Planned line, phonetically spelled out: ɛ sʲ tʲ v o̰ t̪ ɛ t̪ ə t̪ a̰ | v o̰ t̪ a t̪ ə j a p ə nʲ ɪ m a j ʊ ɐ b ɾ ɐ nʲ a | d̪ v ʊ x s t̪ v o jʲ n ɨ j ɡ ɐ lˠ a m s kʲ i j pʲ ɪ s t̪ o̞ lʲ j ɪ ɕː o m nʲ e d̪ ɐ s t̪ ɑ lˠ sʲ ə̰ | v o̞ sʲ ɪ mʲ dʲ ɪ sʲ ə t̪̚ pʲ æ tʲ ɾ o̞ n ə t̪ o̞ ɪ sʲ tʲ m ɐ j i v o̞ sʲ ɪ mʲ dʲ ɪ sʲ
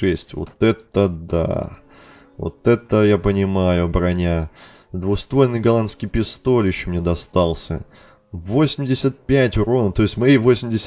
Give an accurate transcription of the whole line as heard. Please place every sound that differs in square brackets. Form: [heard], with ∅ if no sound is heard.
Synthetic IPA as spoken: ɛ sʲ tʲ v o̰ t̪ ɛ t̪ ə [d̪] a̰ | v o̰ t̪ [ɛ] t̪ ə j a p ə nʲ ɪ m a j ʊ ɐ b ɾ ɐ nʲ a | d̪ v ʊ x s t̪ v o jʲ n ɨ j ɡ ɐ lˠ a [n] s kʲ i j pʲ ɪ s t̪ o̞ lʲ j ɪ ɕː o m nʲ e d̪ ɐ s t̪ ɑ lˠ sʲ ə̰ | v o̞ sʲ ɪ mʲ dʲ ɪ sʲ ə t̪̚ pʲ æ tʲ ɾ o̞ n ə t̪ o̞ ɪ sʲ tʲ m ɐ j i v o̞ sʲ ɪ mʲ dʲ ɪ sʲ